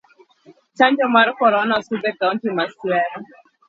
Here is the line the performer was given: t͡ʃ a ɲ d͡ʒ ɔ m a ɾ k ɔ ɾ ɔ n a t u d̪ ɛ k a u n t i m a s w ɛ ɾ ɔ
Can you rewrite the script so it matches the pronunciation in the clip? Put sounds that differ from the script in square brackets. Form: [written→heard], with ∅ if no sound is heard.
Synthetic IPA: t͡ʃ a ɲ d͡ʒ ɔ m a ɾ k ɔ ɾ ɔ n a [t→s] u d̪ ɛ k a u n t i m a s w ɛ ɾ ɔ